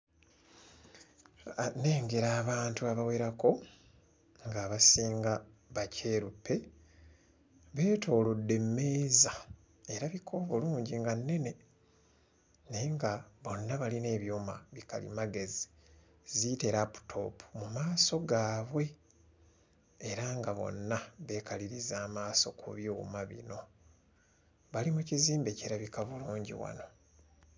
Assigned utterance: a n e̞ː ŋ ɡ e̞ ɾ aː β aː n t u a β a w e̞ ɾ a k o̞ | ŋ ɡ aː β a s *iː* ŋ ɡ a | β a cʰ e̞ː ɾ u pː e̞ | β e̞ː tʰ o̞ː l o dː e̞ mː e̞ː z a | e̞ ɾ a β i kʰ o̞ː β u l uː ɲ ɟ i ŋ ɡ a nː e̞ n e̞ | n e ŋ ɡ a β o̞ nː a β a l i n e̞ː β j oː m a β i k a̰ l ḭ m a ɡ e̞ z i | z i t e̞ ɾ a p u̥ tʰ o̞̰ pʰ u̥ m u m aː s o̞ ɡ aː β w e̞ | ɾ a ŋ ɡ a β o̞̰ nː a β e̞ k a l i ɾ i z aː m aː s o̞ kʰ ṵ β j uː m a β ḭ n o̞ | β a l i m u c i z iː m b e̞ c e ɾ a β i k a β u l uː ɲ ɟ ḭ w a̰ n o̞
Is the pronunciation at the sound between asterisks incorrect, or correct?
correct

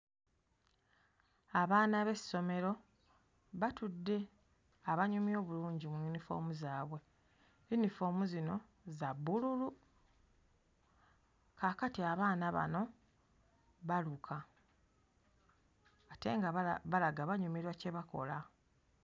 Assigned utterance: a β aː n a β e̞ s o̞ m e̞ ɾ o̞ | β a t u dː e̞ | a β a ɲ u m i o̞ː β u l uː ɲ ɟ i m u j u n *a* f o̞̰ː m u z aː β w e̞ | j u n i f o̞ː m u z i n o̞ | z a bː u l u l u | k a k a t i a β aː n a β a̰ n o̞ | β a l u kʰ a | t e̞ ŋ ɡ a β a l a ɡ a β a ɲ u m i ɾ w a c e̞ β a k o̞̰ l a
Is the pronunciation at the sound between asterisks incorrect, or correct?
incorrect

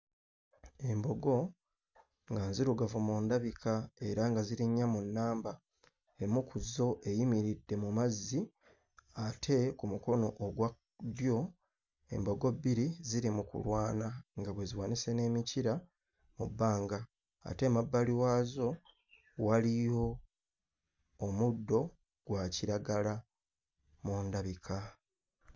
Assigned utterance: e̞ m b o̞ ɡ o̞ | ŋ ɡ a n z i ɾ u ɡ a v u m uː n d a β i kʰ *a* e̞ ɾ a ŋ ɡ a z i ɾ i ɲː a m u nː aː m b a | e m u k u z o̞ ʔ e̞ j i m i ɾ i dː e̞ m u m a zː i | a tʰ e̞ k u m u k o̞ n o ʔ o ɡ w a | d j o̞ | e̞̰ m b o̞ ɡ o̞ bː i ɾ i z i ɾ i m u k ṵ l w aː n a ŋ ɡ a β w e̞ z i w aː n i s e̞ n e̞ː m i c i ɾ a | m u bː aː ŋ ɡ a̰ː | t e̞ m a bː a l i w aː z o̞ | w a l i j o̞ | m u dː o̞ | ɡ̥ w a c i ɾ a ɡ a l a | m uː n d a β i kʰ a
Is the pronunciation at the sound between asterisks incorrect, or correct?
correct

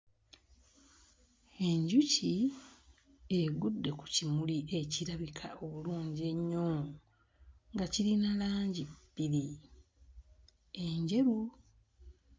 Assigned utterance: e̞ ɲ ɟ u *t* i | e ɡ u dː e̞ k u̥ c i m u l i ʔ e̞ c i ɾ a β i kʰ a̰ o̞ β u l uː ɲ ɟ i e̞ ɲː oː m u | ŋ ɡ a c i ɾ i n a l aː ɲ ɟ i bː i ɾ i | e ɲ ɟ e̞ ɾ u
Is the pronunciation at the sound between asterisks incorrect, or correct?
incorrect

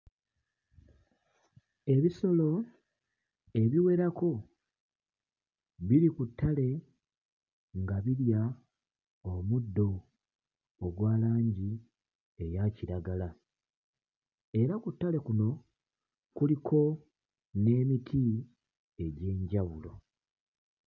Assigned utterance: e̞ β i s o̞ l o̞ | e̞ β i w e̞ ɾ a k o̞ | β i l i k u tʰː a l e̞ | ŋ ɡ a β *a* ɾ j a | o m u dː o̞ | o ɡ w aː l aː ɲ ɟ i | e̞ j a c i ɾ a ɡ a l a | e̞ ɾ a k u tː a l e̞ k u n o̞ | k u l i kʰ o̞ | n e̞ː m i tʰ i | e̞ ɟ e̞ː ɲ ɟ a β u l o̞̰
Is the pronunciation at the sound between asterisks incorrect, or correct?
incorrect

